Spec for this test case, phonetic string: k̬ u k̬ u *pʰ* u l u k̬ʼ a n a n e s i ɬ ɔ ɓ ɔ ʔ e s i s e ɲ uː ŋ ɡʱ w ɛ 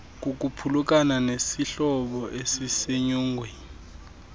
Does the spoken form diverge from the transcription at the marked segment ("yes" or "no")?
no